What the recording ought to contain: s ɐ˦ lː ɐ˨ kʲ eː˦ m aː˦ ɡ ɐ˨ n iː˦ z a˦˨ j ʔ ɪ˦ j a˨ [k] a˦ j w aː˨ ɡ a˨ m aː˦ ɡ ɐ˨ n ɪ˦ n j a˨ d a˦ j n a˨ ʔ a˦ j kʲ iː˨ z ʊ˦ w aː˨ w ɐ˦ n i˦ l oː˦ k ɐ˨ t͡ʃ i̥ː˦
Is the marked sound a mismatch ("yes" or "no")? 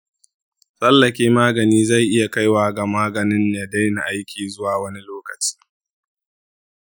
no